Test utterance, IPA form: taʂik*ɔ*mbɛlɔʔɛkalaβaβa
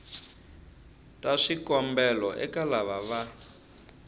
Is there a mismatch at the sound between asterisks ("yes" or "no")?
no